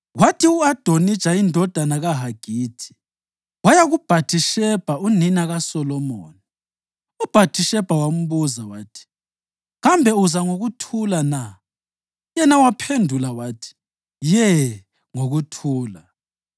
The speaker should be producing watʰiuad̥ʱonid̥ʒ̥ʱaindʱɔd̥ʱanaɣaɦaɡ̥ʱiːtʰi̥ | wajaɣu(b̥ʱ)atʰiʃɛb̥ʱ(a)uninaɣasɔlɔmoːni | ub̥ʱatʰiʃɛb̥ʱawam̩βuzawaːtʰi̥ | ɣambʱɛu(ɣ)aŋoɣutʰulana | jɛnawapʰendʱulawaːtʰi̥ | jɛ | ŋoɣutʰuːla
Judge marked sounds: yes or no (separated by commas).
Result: yes, yes, no